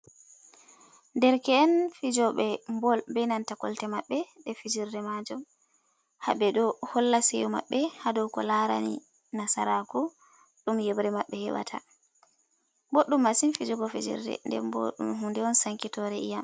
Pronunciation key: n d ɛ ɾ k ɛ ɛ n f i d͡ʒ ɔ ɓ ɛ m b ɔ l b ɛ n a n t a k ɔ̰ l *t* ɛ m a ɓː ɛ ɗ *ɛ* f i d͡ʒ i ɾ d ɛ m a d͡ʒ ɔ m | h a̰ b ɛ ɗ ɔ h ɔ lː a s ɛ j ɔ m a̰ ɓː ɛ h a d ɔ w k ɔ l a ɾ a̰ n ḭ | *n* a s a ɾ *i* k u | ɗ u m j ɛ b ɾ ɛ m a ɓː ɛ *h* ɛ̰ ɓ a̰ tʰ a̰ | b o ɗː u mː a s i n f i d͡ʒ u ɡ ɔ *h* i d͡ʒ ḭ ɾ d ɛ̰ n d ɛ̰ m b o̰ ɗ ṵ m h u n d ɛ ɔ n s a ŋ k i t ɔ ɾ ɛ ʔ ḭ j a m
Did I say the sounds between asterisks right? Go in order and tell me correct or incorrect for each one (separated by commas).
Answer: correct, correct, correct, incorrect, correct, incorrect